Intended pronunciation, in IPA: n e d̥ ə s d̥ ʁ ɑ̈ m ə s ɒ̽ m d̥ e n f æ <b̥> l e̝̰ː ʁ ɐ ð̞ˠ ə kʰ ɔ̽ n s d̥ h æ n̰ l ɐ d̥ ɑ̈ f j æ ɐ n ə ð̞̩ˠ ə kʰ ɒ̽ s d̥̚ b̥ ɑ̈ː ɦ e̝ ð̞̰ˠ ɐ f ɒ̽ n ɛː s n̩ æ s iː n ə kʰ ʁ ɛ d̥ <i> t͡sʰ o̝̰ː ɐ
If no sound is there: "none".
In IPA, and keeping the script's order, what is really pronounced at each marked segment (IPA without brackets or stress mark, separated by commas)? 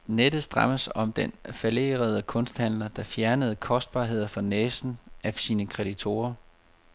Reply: none, i